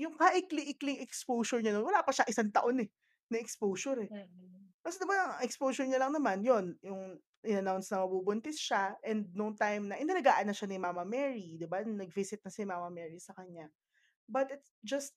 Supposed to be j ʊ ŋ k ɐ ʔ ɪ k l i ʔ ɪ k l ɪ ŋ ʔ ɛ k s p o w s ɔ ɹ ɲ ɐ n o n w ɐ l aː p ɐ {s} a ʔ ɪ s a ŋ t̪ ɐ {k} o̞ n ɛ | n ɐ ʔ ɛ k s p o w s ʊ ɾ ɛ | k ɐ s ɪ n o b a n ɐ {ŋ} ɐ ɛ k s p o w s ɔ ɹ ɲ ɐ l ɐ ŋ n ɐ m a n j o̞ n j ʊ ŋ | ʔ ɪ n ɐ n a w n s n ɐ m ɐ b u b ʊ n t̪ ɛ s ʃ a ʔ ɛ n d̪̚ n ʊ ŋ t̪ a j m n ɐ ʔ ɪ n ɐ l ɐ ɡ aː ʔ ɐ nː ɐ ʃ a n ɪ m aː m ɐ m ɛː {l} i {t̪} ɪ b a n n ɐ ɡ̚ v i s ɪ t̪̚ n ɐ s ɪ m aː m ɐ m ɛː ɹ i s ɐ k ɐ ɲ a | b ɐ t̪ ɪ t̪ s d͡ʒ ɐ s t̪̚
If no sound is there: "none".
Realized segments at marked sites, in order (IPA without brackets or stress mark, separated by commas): ʃ, ʔ, ŋ, ɹ, d̪